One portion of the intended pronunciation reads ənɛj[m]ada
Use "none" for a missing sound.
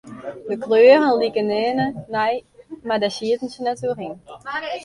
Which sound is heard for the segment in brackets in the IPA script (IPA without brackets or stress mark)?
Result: m